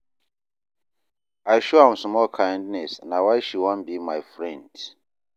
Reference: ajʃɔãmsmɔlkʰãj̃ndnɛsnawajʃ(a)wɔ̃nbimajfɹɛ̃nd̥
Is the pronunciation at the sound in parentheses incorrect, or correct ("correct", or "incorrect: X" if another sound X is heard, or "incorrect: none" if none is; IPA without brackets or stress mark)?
incorrect: i